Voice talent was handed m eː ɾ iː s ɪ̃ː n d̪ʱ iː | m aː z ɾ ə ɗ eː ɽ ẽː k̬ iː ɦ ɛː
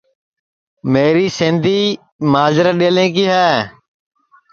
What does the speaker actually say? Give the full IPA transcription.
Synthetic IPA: m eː ɾ iː s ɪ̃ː n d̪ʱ iː | m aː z ɾ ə ɗ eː l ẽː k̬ iː ɦ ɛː

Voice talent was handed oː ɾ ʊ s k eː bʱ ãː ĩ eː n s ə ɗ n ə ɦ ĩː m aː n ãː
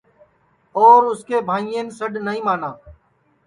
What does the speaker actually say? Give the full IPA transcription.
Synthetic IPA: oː ɾ ʊ s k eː bʱ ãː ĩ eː n s ə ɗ n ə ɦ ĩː m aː n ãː

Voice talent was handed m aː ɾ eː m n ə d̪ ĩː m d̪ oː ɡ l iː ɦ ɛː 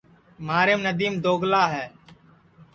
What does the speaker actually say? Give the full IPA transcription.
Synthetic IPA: m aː ɾ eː m n ə d̪ iː m d̪ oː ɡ l aː ɦ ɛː

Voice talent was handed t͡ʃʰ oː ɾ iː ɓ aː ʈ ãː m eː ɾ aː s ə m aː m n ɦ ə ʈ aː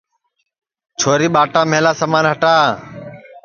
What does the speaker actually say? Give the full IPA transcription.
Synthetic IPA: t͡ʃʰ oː ɾ iː ɓ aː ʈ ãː m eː l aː s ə m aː n ɦ ə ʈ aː

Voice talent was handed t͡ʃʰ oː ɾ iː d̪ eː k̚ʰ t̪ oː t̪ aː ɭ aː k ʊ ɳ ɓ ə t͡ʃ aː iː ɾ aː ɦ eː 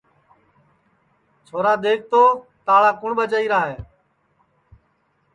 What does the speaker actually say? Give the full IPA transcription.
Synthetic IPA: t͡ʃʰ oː ɾ aː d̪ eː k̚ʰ t̪ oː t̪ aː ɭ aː k ʊ ɳ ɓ ə t͡ʃ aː iː ɾ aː ɦ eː

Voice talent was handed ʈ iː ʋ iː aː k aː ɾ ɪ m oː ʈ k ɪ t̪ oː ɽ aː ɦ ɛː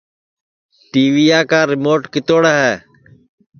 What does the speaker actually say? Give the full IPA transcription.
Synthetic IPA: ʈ iː ʋ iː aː k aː ɾ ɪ m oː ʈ k ɪ t̪ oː ɽ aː ɦ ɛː

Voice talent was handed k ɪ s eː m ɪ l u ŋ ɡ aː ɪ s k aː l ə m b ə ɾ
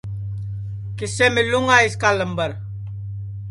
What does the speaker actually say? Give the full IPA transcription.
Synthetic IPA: k ɪ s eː m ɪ l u ŋ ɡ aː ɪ s k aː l ə m b ə ɾ

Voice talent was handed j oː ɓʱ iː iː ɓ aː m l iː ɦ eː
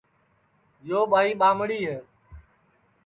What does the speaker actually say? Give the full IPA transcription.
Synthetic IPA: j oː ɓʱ aː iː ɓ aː m ɽ iː ɦ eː

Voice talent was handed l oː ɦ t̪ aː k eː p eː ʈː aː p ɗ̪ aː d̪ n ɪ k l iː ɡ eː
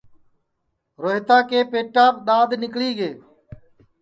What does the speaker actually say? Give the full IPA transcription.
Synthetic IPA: ɾ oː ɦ t̪ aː k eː p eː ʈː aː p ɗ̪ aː d̪ n ɪ k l iː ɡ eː

